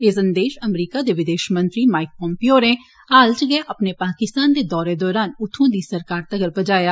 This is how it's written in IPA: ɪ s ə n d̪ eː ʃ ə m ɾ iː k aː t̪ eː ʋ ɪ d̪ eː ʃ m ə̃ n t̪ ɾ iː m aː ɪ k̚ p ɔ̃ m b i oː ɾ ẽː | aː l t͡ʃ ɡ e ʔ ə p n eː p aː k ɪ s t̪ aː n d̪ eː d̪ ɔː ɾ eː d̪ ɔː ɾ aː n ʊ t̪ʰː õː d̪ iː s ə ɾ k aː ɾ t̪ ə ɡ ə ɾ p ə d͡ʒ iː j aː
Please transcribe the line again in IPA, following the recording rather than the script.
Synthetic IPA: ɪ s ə n d̪ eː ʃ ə m ɾ iː k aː d̪ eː ʋ ɪ d̪ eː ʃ m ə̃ n t̪ ɾ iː m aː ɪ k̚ p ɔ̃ m p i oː ɾ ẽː | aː l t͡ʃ ɡ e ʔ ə p n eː p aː k ɪ s t̪ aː n d̪ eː d̪ ɔː ɾ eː d̪ ɔː ɾ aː n ʊ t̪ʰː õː d̪ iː s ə ɾ k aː ɾ t̪ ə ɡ ə ɾ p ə d͡ʒ aː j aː